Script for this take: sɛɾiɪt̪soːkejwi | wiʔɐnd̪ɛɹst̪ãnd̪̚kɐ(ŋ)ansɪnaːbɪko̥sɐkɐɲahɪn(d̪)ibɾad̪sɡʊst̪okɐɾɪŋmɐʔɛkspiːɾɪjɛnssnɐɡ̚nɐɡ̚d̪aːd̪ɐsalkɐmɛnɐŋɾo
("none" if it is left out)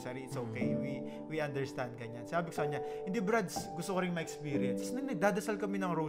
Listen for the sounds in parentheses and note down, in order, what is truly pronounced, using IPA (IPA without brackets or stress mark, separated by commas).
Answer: ɲ, d̪